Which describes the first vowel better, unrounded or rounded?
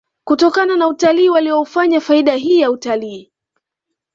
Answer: rounded